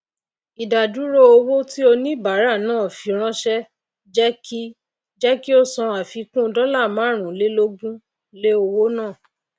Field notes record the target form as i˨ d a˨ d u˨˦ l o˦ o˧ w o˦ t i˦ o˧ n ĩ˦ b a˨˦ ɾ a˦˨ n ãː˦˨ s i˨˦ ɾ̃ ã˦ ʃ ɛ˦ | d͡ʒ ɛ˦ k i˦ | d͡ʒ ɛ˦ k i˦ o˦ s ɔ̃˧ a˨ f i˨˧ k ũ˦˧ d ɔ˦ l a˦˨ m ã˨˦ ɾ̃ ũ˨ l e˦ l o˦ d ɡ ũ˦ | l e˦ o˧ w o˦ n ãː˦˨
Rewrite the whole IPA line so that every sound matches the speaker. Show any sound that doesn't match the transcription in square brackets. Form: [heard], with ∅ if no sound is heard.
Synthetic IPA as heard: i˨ d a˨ d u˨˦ [ɾ] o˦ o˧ w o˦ t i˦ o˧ n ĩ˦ b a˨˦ ɾ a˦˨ n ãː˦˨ [f] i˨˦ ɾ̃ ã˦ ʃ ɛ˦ | d͡ʒ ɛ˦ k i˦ | d͡ʒ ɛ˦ k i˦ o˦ s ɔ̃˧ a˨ f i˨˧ k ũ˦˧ d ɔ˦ l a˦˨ m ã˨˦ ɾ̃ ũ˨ l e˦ l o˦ [∅] ɡ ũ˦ | l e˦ o˧ w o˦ n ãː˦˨